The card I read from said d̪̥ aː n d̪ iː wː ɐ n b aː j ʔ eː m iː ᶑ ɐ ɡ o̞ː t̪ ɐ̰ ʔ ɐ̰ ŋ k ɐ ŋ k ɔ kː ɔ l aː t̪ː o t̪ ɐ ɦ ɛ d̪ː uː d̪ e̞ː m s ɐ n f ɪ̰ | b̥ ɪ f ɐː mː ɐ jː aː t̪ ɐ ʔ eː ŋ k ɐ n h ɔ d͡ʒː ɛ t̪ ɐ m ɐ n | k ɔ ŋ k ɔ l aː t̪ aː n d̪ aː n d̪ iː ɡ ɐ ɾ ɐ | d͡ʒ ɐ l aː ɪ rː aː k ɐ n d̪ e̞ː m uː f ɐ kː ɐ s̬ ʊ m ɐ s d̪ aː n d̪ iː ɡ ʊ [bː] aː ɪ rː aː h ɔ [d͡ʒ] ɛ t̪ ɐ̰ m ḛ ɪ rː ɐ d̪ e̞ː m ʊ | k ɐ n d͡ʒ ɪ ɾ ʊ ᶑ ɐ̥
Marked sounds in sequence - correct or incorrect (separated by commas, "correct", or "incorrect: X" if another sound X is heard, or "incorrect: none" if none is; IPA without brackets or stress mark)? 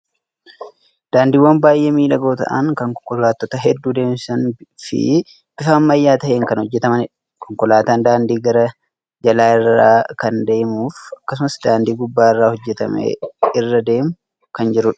correct, incorrect: d͡ʒː